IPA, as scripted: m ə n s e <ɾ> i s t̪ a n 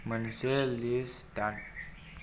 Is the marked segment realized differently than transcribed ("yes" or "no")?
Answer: yes